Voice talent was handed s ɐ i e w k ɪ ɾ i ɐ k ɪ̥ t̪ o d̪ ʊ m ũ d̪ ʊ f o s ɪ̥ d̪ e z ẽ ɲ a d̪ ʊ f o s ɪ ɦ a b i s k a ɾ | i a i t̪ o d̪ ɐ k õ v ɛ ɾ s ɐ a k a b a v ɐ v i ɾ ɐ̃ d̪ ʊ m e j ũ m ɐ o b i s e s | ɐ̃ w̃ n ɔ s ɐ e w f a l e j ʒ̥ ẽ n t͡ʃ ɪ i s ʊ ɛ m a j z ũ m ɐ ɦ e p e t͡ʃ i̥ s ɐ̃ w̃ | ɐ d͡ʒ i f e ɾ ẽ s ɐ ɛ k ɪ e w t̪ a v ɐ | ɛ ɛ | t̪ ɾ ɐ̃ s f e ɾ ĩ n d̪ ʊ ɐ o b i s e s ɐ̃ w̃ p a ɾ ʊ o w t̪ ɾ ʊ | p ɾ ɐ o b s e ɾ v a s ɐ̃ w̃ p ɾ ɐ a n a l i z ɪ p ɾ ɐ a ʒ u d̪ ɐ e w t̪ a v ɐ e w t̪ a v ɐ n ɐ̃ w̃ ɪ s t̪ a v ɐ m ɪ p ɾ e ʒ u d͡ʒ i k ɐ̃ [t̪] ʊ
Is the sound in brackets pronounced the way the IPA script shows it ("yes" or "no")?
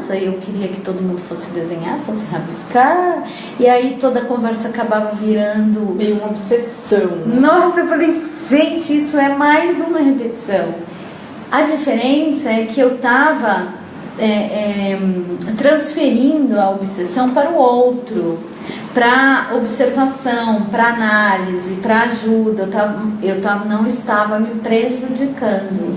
no